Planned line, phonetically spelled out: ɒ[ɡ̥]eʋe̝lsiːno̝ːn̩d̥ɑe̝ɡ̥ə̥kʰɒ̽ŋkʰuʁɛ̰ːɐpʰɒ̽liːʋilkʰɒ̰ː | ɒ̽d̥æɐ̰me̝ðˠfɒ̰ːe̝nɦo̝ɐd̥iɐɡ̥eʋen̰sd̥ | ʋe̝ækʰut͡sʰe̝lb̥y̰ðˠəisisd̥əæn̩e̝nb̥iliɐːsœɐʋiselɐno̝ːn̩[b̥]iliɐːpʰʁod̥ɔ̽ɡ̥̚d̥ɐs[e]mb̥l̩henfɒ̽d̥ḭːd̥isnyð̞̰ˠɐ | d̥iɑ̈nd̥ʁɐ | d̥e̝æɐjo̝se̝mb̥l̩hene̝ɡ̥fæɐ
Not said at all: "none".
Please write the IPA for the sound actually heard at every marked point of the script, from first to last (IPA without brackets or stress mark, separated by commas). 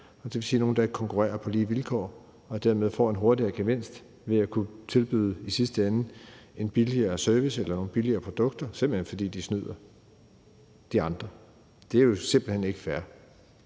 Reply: d̥, b̥, e